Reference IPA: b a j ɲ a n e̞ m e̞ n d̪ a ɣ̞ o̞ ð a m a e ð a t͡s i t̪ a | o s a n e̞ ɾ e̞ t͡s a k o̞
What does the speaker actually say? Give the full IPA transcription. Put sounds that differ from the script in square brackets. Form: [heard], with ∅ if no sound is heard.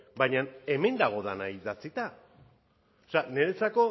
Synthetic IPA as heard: b a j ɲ a n e̞ m e̞ n d̪ a ɣ̞ o̞ ð a [n] a [i] ð a t͡s i t̪ a | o s a n e̞ ɾ e̞ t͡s a k o̞